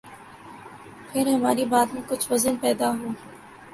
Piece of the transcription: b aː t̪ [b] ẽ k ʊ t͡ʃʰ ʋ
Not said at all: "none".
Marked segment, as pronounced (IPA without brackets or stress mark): m